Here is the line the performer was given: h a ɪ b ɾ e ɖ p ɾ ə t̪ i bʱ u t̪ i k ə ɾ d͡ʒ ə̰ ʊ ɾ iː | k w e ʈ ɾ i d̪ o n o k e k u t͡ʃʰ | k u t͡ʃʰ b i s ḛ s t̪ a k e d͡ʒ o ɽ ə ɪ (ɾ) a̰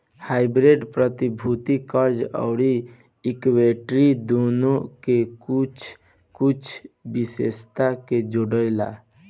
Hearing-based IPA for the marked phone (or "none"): l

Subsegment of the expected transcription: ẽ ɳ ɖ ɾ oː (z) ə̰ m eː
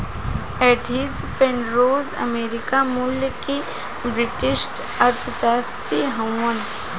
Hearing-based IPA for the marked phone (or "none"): z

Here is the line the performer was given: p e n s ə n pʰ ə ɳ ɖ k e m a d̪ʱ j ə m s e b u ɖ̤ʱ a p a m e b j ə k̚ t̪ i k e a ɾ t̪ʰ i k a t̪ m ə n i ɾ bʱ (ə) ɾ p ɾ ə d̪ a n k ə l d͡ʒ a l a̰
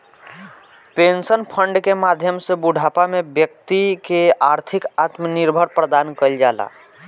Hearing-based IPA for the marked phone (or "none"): ə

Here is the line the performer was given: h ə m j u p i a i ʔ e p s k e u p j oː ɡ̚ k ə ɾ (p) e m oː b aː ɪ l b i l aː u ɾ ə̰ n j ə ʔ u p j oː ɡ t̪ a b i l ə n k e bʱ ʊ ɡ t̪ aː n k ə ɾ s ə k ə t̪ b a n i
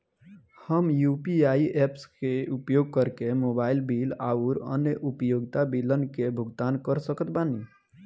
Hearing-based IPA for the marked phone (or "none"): k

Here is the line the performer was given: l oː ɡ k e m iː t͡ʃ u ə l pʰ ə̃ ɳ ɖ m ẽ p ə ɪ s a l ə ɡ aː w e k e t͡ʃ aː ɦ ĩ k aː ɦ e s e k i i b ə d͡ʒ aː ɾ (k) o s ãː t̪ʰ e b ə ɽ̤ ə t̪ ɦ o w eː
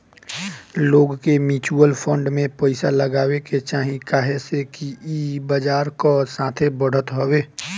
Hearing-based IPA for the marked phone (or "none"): k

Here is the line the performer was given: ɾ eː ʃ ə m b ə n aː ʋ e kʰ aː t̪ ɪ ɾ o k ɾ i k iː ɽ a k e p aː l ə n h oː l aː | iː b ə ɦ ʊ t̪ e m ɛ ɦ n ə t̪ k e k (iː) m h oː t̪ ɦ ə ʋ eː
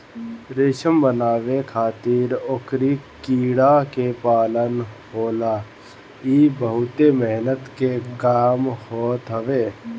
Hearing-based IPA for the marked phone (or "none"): aː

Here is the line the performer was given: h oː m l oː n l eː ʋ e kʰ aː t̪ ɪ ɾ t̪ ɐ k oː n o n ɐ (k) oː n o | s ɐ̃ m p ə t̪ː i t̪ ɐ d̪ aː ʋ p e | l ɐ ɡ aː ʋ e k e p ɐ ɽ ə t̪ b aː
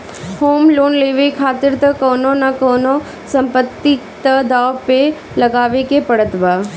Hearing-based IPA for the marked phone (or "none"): k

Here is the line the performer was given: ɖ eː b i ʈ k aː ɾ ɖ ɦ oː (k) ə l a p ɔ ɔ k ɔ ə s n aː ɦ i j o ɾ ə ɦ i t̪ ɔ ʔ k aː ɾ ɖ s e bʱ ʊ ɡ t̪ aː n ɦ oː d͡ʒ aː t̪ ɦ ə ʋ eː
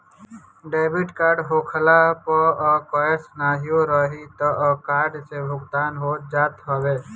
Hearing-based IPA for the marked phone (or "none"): kʰ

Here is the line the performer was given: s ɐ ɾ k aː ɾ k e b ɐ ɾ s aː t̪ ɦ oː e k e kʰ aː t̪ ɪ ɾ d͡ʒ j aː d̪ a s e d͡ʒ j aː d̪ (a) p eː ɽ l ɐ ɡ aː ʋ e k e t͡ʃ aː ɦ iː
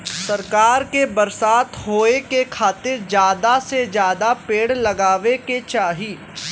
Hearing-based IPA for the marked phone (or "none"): a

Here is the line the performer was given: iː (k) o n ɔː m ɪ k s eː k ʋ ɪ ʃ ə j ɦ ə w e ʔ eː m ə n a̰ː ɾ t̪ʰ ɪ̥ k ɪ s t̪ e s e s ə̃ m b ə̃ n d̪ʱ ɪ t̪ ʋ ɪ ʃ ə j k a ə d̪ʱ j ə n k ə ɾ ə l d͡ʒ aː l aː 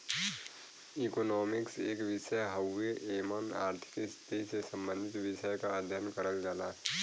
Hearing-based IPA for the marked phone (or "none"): k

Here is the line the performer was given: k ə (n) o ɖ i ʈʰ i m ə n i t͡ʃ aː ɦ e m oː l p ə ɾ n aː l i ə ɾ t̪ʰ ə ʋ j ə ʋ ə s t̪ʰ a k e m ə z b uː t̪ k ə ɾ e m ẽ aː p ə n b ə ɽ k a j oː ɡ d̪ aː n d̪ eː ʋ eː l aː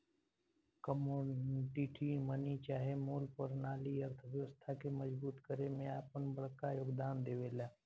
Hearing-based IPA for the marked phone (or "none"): m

